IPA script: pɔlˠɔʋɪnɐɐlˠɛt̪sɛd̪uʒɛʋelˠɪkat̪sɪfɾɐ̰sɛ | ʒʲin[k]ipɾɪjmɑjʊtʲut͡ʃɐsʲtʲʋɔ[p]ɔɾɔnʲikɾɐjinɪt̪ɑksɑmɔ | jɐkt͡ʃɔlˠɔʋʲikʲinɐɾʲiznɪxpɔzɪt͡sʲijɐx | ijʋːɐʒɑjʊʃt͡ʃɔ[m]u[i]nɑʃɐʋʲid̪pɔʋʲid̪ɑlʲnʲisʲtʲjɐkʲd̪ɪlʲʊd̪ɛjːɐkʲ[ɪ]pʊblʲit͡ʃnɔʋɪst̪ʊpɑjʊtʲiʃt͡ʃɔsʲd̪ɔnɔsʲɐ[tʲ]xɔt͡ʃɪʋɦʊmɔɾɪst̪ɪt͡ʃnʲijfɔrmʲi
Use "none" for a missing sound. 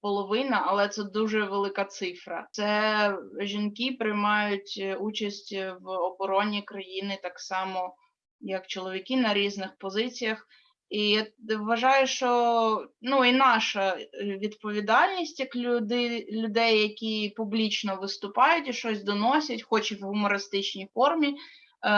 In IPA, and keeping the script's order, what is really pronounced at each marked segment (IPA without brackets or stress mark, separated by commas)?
k, b, n, i, i, tʲ